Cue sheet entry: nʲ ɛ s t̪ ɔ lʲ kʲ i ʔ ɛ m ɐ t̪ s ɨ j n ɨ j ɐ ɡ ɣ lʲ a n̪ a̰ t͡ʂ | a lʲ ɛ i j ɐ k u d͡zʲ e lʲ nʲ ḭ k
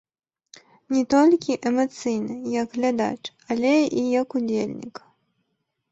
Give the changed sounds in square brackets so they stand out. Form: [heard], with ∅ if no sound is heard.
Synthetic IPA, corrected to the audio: nʲ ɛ [∅] t̪ ɔ lʲ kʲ i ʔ ɛ m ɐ t̪ s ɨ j n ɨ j ɐ ɡ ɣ lʲ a [d̪] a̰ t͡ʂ | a lʲ ɛ i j ɐ k u d͡zʲ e lʲ nʲ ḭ k